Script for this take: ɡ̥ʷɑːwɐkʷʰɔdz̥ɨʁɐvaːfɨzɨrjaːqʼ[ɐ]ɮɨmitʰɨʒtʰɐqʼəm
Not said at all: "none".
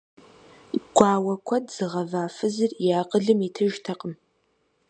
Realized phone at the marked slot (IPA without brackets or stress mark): ə